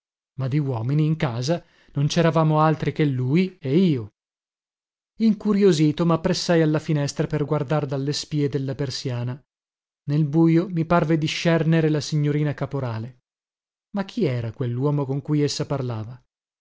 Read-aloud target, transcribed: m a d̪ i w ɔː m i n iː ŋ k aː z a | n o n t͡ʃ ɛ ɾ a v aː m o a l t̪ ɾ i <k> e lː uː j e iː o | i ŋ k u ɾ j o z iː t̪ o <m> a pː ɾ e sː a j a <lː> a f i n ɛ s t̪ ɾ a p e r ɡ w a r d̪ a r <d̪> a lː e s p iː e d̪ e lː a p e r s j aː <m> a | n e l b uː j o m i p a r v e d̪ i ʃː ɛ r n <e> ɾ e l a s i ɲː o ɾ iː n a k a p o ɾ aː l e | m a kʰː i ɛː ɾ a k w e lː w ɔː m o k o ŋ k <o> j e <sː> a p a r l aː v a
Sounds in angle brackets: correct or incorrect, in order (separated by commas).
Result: correct, correct, correct, correct, incorrect, correct, incorrect, correct